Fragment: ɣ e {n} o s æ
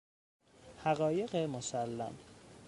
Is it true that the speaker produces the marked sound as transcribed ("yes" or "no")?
no